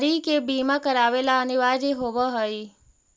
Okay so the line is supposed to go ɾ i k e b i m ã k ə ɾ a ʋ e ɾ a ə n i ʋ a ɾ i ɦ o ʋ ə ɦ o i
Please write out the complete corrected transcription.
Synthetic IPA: ɾ i k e b i m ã k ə ɾ a ʋ e l a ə n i ʋ a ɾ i ɦ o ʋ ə ɦ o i